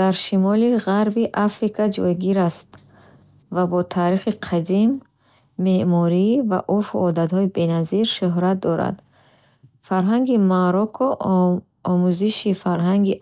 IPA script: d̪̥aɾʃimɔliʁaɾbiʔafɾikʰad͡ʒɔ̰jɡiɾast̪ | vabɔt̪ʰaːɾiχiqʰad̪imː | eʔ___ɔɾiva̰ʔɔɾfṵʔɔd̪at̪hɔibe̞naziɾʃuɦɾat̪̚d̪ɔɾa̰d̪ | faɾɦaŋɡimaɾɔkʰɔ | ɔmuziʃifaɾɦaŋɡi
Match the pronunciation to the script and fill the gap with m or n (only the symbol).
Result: m